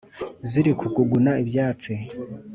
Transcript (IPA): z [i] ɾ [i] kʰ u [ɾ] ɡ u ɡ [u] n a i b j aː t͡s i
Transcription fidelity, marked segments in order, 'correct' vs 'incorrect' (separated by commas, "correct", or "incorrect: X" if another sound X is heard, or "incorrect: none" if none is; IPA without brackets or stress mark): correct, correct, incorrect: none, correct